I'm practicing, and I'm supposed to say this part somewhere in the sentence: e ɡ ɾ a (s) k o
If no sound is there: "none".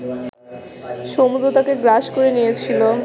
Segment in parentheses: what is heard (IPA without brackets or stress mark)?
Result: ʃ